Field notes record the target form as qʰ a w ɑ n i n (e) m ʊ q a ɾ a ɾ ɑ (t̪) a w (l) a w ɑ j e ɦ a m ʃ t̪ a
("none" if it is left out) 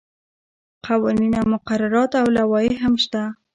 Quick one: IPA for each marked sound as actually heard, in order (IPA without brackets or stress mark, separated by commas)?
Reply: a, t̪, l